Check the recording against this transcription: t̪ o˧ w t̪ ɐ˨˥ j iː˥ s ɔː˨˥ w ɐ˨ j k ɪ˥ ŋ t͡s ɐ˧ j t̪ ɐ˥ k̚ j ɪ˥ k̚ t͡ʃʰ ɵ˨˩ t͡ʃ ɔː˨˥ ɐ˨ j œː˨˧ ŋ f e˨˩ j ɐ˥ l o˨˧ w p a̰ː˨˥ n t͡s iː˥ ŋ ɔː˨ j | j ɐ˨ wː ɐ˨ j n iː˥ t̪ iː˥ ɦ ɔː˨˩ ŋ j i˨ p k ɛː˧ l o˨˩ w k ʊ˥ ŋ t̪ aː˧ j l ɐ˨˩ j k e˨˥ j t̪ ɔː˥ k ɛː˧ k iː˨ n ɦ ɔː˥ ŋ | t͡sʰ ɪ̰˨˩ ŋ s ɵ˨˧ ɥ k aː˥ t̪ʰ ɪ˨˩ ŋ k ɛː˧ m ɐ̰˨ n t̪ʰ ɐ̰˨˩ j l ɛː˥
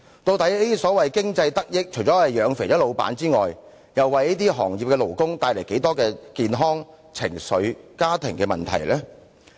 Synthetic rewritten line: t̪ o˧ w t̪ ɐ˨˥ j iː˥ s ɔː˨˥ w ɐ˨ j k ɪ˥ ŋ t͡s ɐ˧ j t̪ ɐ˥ k̚ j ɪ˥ k̚ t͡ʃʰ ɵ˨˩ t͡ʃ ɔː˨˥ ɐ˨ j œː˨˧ ŋ f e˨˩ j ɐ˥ l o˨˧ w p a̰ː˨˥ n t͡s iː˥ ŋ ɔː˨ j | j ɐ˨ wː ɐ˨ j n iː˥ t̪ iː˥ ɦ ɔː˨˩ ŋ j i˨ p k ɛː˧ l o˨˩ w k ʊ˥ ŋ t̪ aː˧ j l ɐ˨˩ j k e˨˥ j t̪ ɔː˥ k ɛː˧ k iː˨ n ɦ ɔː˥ ŋ | t͡sʰ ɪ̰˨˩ ŋ s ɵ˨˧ ɥ k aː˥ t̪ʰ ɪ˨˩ ŋ k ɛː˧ m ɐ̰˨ n t̪ʰ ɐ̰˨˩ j l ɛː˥